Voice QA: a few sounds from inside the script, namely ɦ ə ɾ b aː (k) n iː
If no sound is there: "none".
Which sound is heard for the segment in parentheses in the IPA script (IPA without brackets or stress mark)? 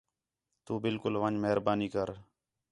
none